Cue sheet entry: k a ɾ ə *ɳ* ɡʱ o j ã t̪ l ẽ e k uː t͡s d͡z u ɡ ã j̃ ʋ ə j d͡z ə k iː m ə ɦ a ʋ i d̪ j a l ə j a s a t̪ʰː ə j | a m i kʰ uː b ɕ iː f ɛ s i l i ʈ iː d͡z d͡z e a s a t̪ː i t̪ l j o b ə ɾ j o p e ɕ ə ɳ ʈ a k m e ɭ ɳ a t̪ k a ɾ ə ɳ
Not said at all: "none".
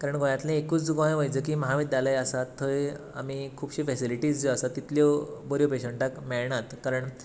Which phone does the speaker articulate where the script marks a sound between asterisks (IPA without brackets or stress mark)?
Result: ɳ